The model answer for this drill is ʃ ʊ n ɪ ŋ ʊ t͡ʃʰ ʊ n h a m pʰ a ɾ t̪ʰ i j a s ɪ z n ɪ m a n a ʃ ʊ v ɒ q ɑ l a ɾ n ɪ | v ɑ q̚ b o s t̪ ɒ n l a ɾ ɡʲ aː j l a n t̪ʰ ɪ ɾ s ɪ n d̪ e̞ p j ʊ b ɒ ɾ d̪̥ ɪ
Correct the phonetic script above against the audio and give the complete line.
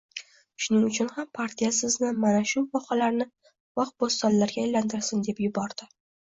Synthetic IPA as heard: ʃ ʊ n ɪ ŋ ʊ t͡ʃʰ ʊ n h a m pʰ a ɾ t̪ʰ i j a s ɪ z n ɪ m a n a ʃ ʊ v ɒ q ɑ l a ɾ n ɪ | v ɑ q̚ b o s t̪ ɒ n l a ɾ ɡʲ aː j l a n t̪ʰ ɪ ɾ s ɪ n d̪ e̞ p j ʊ b ɒ ɾ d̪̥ ɪ

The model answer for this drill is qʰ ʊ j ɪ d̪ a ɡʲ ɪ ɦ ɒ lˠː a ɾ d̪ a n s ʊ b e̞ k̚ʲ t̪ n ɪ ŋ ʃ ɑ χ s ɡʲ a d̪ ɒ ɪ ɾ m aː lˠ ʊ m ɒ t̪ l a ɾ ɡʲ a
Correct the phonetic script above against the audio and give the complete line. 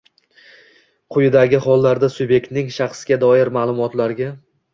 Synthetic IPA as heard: qʰ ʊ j ɪ d̪ a ɡʲ ɪ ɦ ɒ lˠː a ɾ d̪ a s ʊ b e̞ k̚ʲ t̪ n ɪ ŋ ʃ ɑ χ s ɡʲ a d̪ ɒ ɪ ɾ m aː lˠ ʊ m ɒ t̪ l a ɾ ɡʲ a

